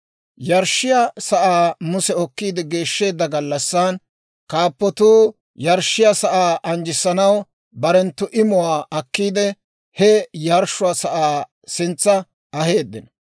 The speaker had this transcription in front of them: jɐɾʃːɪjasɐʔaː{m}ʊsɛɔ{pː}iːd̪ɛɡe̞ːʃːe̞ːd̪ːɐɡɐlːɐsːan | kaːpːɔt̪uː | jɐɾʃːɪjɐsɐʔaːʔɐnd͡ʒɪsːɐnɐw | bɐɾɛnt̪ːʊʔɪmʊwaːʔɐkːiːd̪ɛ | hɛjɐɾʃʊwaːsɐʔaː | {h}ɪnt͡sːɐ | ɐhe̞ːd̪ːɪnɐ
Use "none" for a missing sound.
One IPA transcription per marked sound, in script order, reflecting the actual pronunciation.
m, kː, s

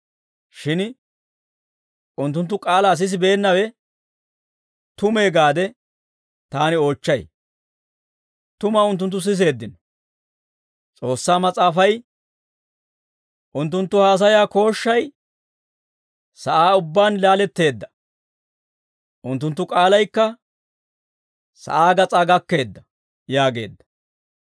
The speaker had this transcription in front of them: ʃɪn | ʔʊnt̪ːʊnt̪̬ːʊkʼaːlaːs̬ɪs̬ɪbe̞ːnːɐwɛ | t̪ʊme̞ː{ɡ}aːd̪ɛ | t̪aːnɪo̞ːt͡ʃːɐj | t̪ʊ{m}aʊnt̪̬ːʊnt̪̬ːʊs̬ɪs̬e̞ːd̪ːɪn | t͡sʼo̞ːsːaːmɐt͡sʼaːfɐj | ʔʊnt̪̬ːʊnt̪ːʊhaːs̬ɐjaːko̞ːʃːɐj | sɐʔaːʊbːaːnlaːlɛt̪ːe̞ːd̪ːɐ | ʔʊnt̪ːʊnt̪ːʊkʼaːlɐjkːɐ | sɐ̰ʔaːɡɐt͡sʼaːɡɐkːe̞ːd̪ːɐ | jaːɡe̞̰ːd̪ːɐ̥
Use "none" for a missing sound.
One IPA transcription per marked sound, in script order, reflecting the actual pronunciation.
ɡ, m

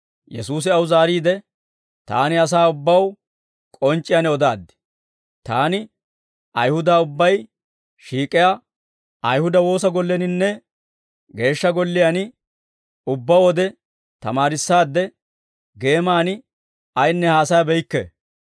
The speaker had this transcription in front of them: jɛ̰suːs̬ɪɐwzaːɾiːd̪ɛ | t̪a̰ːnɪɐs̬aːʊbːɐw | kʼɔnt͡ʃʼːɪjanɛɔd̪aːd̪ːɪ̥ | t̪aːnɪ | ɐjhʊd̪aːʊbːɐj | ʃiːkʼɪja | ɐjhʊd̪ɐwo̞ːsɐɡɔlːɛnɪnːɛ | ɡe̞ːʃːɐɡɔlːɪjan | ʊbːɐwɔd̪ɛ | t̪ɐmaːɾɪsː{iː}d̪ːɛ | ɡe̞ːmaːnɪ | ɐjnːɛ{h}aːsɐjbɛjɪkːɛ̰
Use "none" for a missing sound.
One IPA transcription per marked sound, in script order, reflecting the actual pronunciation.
aː, h

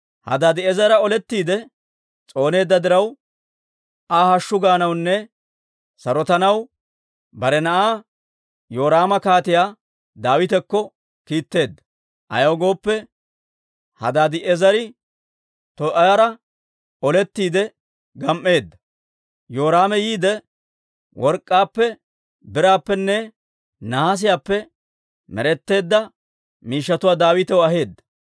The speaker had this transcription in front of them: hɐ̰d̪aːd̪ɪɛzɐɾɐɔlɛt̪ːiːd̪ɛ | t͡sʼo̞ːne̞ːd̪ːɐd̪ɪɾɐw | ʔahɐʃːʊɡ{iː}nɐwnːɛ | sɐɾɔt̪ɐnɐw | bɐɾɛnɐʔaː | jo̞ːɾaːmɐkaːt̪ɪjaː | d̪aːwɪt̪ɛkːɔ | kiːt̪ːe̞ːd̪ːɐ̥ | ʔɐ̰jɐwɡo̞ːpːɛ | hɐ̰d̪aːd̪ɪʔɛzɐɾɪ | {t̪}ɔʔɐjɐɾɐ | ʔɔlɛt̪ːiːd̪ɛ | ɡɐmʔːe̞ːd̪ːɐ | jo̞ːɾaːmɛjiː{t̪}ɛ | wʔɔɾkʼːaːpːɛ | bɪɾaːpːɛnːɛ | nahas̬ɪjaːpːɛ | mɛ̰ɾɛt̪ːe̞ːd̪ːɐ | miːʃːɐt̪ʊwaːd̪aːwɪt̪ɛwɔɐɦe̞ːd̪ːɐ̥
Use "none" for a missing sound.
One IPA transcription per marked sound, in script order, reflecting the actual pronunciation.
aː, t̪, d̪

